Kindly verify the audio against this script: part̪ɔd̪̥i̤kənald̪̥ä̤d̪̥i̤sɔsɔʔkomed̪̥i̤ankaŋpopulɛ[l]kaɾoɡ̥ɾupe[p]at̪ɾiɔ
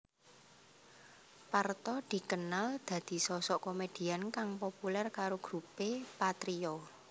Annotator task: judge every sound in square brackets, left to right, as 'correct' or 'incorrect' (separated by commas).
incorrect, correct